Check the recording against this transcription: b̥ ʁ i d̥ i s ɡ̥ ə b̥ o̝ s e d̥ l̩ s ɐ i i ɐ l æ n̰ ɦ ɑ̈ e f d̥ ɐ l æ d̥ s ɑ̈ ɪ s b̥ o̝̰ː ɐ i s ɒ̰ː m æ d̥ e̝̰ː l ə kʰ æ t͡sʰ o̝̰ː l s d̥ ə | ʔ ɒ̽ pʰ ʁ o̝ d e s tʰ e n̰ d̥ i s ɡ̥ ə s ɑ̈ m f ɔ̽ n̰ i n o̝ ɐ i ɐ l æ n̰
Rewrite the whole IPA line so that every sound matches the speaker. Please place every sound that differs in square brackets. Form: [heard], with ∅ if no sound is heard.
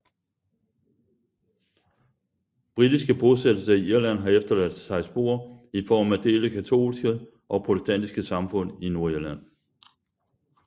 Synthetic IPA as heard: b̥ ʁ i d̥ i s ɡ̥ ə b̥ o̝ s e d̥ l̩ s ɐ i i ɐ l æ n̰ ɦ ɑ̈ e f d̥ ɐ l æ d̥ s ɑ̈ ɪ s b̥ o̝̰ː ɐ i [f] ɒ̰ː m æ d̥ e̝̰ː l ə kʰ æ t͡sʰ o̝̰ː l s [ɡ̥] ə | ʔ ɒ̽ pʰ ʁ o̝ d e s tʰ [æ] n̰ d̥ i s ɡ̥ ə s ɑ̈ m f ɔ̽ n̰ i n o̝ ɐ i ɐ l æ n̰